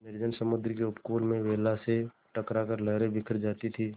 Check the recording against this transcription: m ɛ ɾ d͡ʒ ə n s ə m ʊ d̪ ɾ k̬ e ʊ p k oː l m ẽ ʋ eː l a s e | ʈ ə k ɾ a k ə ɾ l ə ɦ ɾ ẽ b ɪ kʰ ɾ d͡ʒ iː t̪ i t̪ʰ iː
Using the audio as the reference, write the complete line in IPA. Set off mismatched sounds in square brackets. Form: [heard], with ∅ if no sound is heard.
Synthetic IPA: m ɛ ɾ d͡ʒ ə n s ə m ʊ d̪ ɾ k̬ e ʊ p k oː l m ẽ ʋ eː l a s e | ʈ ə k ɾ a k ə ɾ l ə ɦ ɾ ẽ b ɪ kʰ ɾ d͡ʒ [aː] t̪ i t̪ʰ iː

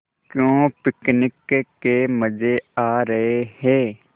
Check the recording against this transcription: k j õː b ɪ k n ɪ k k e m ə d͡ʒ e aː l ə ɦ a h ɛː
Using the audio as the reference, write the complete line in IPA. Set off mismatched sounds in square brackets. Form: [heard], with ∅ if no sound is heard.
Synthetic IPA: k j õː [p] ɪ k n ɪ k k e m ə d͡ʒ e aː [ɾ] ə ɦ [e] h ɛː

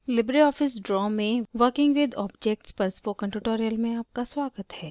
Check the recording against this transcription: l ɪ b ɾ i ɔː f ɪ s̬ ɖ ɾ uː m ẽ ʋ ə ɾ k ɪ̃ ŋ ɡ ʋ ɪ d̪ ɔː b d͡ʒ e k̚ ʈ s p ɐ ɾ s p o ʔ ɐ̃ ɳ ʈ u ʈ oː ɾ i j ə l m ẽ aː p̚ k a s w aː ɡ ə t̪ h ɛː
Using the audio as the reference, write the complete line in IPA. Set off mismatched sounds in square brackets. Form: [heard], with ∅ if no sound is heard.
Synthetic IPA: l ɪ b ɾ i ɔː f ɪ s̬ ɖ ɾ [ɔː] m ẽ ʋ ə ɾ k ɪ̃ ŋ ɡ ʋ ɪ d̪ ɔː b d͡ʒ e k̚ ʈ s p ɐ ɾ s p o [k] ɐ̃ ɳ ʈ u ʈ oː ɾ i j ə l m ẽ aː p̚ k a s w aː ɡ ə t̪ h ɛː

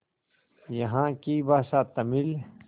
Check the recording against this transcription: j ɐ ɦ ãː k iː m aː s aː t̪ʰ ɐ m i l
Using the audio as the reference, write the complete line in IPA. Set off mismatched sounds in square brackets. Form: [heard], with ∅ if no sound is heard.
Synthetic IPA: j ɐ ɦ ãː k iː [b] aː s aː [t̪] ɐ m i l

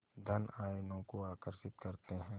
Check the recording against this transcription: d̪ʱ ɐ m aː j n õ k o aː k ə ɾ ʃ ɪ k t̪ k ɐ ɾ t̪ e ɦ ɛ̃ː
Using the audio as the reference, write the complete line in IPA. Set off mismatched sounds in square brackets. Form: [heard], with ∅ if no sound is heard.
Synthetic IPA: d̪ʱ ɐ [n] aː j n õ k o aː k ə ɾ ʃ ɪ [∅] t̪ k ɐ ɾ t̪ e ɦ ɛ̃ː

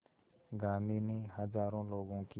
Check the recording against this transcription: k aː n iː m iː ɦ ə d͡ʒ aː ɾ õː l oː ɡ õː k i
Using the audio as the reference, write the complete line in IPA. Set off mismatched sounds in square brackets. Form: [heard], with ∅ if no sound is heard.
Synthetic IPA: [ɡ] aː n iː [n] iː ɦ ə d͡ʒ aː ɾ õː l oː ɡ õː k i

